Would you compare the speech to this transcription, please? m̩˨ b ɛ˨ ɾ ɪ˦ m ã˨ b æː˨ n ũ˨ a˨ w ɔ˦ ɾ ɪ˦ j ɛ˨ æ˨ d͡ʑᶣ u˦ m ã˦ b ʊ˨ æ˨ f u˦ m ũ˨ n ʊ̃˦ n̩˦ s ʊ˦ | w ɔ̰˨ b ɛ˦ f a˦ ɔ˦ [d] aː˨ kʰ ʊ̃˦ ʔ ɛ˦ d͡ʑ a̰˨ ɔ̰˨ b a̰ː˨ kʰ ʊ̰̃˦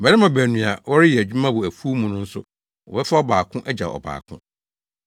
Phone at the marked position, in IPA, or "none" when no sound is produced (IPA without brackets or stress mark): b